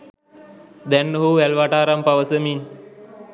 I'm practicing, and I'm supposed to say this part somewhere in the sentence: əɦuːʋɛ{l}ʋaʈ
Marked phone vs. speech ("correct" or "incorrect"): correct